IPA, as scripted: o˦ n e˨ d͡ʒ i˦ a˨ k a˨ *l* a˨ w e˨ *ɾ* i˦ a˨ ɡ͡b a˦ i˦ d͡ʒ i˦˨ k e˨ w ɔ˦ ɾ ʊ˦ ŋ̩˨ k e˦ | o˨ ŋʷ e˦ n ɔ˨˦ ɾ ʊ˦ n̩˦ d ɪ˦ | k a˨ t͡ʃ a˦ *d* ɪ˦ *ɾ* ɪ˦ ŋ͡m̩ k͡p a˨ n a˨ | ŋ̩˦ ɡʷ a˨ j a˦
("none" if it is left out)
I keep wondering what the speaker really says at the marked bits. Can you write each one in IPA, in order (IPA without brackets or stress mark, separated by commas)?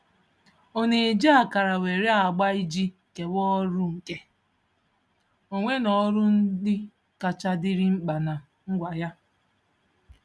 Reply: ɾ, ɾ, d, ɾ